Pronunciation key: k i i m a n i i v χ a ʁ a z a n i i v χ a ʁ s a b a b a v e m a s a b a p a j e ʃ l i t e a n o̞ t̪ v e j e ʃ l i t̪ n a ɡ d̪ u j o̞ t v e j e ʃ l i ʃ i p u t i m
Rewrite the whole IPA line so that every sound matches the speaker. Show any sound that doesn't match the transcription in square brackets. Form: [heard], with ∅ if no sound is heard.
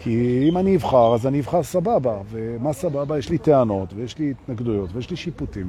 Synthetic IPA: k i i m a n i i v χ a ʁ a z a n i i v χ a ʁ s a b a b a v e m a s a b a [b] a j e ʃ l i t e a n o̞ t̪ v e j e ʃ l i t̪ n a ɡ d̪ u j o̞ t v e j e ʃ l i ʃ i p u t i m